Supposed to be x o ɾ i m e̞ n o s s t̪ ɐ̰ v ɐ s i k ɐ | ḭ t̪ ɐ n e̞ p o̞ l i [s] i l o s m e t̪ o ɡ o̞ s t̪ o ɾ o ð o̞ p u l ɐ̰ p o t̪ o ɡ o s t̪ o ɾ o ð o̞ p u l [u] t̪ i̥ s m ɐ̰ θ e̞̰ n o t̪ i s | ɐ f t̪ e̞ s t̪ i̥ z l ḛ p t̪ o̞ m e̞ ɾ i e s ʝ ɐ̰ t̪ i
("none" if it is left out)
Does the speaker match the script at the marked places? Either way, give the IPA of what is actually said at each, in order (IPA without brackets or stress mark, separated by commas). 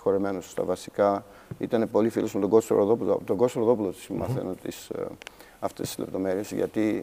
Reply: f, o